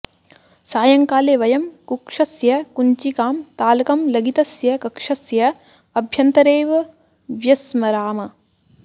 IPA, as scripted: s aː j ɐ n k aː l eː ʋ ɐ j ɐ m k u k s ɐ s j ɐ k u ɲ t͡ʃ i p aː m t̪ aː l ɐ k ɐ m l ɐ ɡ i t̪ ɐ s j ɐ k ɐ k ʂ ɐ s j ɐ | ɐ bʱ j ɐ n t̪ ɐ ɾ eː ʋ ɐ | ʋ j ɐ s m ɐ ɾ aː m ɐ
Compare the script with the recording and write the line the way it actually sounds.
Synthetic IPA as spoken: s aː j ɐ ŋ k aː l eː ʋ ɐ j ɐ m k u k ʂ ɐ s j ɐ k u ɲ t͡ʃ i k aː m t̪ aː l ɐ k ɐ m l ɐ ɡ i t̪ ɐ s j ɐ k ɐ k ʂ ɐ s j ɐ | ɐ bʱ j ɐ n t̪ ɐ ɾ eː ʋ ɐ | ʋ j ɐ s m ɐ ɾ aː m ɐ

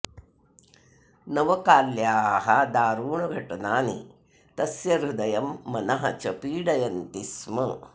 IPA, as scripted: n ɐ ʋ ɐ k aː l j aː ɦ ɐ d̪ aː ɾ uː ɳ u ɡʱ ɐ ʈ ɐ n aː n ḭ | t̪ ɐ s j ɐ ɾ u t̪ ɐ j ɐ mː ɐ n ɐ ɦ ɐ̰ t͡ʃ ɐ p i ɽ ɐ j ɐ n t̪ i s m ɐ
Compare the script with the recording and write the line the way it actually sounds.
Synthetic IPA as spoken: n ɐ ʋ ɐ k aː l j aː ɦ ɐ d̪ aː ɾ uː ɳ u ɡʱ ɐ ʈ ɐ n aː n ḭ | t̪ ɐ s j ɐ ɾ u d̪ ɐ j ɐ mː ɐ n ɐ ɦ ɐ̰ t͡ʃ ɐ p iː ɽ ɐ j ɐ n t̪ i s m ɐ

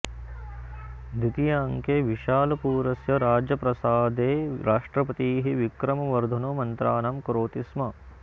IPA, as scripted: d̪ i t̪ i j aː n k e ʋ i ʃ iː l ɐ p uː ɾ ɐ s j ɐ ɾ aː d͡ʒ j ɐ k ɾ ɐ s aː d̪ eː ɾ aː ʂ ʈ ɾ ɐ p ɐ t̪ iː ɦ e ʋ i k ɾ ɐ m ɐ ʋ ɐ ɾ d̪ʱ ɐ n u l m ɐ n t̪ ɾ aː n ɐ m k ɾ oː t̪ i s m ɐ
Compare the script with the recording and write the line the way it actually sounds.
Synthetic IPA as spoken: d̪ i t̪ i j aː ŋ k e ʋ i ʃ aː l ɐ p uː ɾ ɐ s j ɐ ɾ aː d͡ʒ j ɐ p ɾ ɐ s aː d̪ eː ɾ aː ʂ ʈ ɾ ɐ p ɐ t̪ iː ɦ i ʋ i k ɾ ɐ m ɐ ʋ ɐ ɾ d̪ʱ ɐ n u m ɐ n t̪ ɾ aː n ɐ m k ɾ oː t̪ i s m ɐ

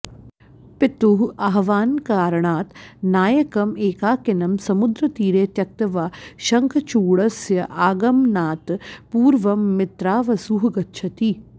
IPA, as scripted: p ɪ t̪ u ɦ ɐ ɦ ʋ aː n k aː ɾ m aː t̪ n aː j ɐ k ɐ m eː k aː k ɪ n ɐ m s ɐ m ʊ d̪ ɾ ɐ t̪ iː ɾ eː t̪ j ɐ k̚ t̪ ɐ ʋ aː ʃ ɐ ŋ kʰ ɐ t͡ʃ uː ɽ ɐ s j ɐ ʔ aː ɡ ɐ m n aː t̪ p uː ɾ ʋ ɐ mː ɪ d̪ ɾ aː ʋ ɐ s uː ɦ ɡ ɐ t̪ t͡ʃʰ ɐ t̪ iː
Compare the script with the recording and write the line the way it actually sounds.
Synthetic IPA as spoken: p ɪ t̪ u ɦ ɐ ɦ ʋ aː n k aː ɾ ɳ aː t̪ n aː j ɐ k ɐ m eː k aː k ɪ n ɐ m s ɐ m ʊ d̪ ɾ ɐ t̪ iː ɾ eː t̪ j ɐ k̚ t̪ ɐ ʋ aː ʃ ɐ ŋ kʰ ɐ t͡ʃ uː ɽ ɐ s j ɐ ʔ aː ɡ ɐ m n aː t̪ p uː ɾ ʋ ɐ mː ɪ t̪ ɾ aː ʋ ɐ s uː ɦ ɡ ɐ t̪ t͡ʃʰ ɐ t̪ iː

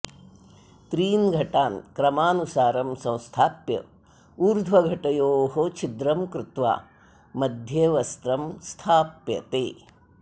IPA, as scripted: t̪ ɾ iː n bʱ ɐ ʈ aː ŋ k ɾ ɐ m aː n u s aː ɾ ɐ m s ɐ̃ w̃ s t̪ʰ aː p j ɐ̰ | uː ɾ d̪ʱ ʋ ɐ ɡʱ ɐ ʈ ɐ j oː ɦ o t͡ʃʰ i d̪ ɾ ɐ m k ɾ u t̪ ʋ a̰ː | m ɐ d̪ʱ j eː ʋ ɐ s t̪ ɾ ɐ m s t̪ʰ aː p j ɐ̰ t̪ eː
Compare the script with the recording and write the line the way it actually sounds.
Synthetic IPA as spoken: t̪ ɾ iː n ɡʱ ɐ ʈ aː n k ɾ ɐ m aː n u s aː ɾ ɐ m s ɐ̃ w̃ s t̪ʰ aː p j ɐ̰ | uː ɾ d̪ʱ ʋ ɐ ɡʱ ɐ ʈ ɐ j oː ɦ o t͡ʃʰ i d̪ ɾ ɐ m k ɾ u t̪ ʋ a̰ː | m ɐ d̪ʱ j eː ʋ ɐ s t̪ ɾ ɐ m s t̪ʰ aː p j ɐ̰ t̪ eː

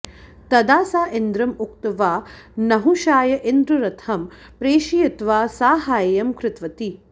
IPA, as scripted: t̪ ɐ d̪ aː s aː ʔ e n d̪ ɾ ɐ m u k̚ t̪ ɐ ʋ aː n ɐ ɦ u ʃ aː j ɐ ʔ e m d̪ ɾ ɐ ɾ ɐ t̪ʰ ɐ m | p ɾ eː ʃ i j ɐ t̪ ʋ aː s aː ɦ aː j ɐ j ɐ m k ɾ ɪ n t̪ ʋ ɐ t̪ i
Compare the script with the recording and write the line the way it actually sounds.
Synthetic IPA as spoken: t̪ ɐ d̪ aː s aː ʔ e n d̪ ɾ ɐ m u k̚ t̪ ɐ ʋ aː n ɐ ɦ u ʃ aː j ɐ ʔ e n d̪ ɾ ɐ ɾ ɐ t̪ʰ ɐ m | p ɾ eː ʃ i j ɐ t̪ ʋ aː s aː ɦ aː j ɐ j ɐ m k ɾ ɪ t̪ ʋ ɐ t̪ i

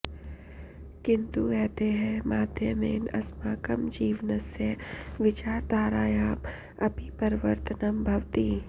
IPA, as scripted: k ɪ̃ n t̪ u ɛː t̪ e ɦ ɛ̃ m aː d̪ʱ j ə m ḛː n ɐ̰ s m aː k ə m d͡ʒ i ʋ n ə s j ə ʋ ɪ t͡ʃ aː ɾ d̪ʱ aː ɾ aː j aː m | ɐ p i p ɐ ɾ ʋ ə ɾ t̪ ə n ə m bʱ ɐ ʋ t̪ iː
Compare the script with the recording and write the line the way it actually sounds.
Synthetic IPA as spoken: k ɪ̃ n t̪ u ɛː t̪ e ɦ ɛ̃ m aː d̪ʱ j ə m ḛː n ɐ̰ s m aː k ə m d͡ʒ iː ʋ n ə s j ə ʋ ɪ t͡ʃ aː ɾ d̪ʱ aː ɾ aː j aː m | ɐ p i p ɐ ɾ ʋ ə ɾ t̪ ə n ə m bʱ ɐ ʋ t̪ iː

